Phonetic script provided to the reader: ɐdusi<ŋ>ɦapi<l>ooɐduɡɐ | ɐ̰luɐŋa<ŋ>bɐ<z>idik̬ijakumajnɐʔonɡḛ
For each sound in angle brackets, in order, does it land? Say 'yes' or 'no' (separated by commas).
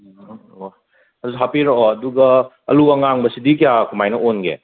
no, no, yes, no